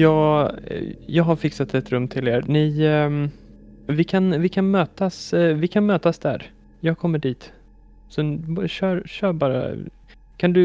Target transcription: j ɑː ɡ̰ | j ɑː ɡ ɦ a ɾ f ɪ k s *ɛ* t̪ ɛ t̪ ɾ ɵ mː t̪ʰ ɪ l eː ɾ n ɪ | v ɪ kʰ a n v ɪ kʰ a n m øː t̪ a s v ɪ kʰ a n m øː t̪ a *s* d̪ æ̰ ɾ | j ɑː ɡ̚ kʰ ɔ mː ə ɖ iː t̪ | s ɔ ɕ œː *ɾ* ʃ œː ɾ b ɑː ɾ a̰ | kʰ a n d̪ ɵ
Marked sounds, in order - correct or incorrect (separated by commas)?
incorrect, correct, correct